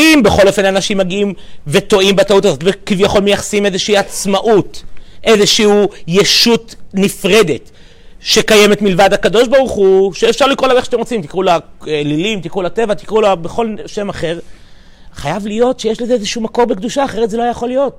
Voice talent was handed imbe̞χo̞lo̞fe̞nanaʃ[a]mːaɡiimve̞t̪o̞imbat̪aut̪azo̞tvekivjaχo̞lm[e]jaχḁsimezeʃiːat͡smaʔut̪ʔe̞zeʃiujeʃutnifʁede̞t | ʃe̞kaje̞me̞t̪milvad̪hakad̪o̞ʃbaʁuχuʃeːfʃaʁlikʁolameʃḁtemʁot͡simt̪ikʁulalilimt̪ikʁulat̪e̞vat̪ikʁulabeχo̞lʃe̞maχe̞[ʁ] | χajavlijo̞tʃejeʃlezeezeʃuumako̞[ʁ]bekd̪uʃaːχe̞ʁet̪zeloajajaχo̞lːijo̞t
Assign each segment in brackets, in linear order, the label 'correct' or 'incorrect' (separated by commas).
incorrect, correct, correct, correct